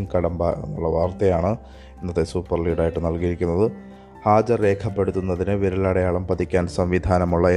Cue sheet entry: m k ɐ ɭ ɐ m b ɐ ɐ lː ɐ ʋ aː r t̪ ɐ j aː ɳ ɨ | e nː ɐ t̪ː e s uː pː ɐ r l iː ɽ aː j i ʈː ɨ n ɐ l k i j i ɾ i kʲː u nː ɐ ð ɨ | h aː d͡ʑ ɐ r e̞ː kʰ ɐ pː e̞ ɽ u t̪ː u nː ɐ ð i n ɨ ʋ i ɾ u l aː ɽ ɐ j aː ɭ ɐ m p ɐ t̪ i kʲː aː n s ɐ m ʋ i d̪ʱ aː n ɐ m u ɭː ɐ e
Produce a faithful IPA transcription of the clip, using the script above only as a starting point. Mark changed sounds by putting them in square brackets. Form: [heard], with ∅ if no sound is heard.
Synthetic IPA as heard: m k ɐ [ɽ] ɐ m b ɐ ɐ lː ɐ ʋ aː r t̪ ɐ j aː ɳ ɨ | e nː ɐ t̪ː e s uː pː ɐ r l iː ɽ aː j i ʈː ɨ n ɐ l k i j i ɾ i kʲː u nː ɐ ð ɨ | h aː d͡ʑ ɐ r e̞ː kʰ ɐ pː e̞ ɽ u t̪ː u nː ɐ ð i n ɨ ʋ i ɾ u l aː ɽ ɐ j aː ɭ ɐ m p ɐ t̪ i kʲː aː n s ɐ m ʋ i d̪ʱ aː n ɐ m u ɭː ɐ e